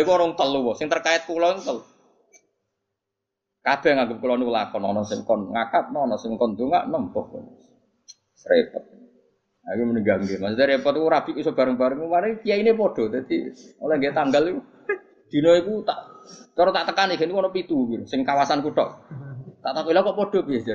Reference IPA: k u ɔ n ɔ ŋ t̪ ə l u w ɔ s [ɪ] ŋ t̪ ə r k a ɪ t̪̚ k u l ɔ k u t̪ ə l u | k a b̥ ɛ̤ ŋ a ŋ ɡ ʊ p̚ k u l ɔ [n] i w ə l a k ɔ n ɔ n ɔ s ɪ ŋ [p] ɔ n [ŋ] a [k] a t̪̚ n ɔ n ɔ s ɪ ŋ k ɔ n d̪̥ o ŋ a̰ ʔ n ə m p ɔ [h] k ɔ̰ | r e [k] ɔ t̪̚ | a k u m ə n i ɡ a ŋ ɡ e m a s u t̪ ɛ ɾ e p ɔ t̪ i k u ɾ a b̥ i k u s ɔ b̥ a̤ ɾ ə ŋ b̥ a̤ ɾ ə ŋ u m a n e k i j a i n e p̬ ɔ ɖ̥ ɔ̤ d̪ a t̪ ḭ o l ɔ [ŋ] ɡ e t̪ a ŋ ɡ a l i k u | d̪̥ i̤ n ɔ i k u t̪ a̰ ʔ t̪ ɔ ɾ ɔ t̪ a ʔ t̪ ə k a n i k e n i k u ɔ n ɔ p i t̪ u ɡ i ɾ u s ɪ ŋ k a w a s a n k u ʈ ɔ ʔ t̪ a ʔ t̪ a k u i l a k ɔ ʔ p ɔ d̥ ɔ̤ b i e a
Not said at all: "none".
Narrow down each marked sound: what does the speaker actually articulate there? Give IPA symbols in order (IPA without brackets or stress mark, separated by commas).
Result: ɪ, n, k, ŋ, k, h, p, ŋ